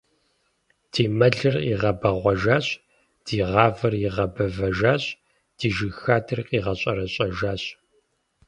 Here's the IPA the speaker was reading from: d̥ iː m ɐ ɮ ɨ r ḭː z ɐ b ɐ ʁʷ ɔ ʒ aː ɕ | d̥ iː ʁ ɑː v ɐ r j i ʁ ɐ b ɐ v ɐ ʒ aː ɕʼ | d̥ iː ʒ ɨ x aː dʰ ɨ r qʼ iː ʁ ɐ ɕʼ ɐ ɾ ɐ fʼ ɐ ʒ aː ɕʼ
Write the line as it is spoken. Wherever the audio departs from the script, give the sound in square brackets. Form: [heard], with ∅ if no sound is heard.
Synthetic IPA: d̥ iː m ɐ ɮ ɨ r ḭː [ʁ] ɐ b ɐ ʁʷ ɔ ʒ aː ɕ | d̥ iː ʁ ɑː v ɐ r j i ʁ ɐ b ɐ v ɐ ʒ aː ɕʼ | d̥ iː ʒ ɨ x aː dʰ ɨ r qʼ iː ʁ ɐ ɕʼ ɐ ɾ ɐ [ɕʼ] ɐ ʒ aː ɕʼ